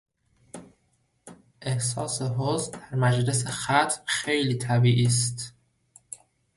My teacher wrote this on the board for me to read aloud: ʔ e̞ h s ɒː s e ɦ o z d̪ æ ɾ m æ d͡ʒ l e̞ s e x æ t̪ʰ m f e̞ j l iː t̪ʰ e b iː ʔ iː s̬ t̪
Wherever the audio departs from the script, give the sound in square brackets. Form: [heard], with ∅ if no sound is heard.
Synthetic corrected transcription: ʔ e̞ h s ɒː s e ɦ o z d̪ æ ɾ m æ d͡ʒ l e̞ s e x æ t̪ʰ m [x] e̞ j l iː t̪ʰ [æ] b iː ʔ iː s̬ t̪

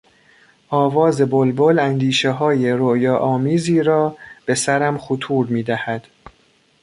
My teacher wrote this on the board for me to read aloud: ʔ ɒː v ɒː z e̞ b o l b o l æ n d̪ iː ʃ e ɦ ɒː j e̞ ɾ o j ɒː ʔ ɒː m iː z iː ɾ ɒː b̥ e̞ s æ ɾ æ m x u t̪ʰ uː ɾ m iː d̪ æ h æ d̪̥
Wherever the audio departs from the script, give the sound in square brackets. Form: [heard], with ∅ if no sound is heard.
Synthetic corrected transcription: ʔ ɒː v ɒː z e̞ b o l b o l æ n d̪ iː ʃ e ɦ ɒː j e̞ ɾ o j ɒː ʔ ɒː m iː z iː ɾ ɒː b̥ e̞ s æ ɾ æ m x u t̪ʰ uː ɾ m iː d̪ æ h æ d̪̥

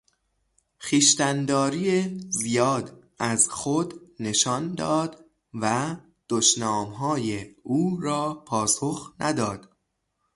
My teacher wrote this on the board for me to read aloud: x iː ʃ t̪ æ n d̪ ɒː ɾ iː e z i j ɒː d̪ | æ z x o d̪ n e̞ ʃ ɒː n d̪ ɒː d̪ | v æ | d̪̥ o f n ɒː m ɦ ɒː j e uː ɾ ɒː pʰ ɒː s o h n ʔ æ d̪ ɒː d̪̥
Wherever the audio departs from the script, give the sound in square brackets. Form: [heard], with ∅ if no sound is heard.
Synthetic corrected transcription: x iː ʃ t̪ æ n d̪ ɒː ɾ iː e z i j ɒː d̪ | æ z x o d̪ n e̞ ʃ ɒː n d̪ ɒː d̪ | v æ | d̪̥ o [ʃ] n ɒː m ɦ ɒː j e uː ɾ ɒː pʰ ɒː s o [x] n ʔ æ d̪ ɒː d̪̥

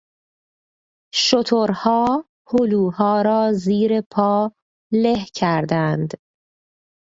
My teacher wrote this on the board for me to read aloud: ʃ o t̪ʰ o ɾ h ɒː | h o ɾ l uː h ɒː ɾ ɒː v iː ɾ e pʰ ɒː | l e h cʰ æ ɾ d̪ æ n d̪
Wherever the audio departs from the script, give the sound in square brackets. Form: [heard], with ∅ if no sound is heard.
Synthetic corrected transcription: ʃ o t̪ʰ o ɾ h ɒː | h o [∅] l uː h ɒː ɾ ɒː [z] iː ɾ e pʰ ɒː | l e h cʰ æ ɾ d̪ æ n d̪

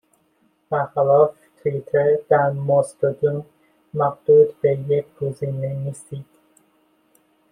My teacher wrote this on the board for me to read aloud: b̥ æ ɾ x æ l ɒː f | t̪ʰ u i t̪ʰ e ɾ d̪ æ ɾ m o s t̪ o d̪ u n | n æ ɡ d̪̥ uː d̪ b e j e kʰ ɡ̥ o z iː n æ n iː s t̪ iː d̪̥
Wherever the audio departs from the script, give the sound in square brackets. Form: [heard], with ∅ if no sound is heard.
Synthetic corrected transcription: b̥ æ ɾ x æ l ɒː f | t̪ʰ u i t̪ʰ e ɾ d̪ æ ɾ m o s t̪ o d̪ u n | [m] æ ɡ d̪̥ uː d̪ b e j e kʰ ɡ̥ o z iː n [e] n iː s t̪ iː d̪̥

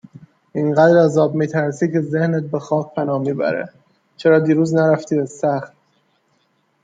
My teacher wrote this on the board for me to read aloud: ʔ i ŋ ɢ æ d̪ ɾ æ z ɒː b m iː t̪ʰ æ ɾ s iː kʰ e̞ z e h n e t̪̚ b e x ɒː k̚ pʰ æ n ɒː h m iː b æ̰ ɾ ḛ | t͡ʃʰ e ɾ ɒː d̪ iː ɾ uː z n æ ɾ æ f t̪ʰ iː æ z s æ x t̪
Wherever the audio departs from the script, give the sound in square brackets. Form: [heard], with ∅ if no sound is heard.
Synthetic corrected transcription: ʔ i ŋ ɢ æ d̪ ɾ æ z ɒː b m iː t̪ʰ æ ɾ s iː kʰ e̞ z e h n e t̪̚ b e x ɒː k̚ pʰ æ n ɒː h m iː b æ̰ ɾ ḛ | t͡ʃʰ e ɾ ɒː d̪ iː ɾ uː z n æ ɾ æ f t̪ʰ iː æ z s æ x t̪

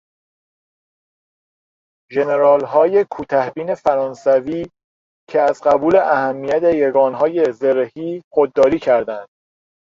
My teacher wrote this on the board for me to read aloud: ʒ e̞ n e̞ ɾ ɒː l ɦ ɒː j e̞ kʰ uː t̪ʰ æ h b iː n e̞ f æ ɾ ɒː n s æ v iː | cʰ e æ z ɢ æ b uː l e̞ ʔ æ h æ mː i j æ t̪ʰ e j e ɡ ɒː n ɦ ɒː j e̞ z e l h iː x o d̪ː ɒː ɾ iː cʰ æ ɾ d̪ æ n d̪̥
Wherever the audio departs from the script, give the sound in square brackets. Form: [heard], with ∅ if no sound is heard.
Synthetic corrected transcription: ʒ e̞ n e̞ ɾ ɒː l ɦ ɒː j e̞ kʰ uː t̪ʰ æ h b iː n e̞ f æ ɾ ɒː n s æ v iː | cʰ e æ z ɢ æ b uː l e̞ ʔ æ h æ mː i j æ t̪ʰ e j e ɡ ɒː n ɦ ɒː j e̞ z e [ɾ] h iː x o d̪ː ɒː ɾ iː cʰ æ ɾ d̪ æ n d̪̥

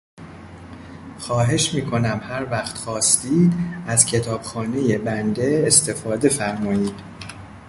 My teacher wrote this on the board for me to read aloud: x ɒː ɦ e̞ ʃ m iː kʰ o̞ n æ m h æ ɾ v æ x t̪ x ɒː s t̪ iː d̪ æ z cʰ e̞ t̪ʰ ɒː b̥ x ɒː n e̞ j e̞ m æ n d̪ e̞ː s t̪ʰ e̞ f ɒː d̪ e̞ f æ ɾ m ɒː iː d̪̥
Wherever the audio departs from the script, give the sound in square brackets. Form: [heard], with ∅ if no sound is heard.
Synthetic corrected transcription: x ɒː ɦ e̞ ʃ m iː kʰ o̞ n æ m h æ ɾ v æ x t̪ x ɒː s t̪ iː d̪ æ z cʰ e̞ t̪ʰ ɒː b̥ x ɒː n e̞ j e̞ [b] æ n d̪ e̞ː s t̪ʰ e̞ f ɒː d̪ e̞ f æ ɾ m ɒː iː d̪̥

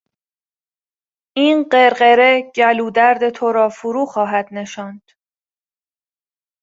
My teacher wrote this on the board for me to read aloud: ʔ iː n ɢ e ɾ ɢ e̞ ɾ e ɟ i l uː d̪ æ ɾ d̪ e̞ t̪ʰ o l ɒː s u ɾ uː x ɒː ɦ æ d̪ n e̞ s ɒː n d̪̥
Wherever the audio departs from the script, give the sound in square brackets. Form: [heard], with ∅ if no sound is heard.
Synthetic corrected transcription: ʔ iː n ɢ e ɾ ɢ e̞ ɾ e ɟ [æ] l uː d̪ æ ɾ d̪ e̞ t̪ʰ o [ɾ] ɒː [f] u ɾ uː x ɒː ɦ æ d̪ n e̞ [ʃ] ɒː n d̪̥

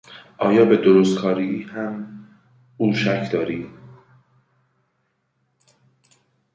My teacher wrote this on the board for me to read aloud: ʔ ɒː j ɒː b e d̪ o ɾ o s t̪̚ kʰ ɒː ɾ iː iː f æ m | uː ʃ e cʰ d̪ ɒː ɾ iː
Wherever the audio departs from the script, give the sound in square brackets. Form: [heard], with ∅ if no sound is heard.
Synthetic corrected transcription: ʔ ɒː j ɒː b e d̪ o ɾ o s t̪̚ kʰ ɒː ɾ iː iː [h] æ m | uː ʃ [æ] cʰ d̪ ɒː ɾ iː

